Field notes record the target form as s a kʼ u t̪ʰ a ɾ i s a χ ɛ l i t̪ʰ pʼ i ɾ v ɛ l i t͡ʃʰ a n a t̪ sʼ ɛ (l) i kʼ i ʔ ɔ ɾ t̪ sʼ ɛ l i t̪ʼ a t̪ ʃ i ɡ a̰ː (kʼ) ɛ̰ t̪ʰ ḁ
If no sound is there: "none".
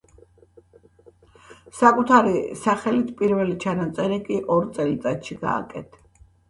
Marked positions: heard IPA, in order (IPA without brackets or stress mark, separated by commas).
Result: ɾ, kʼ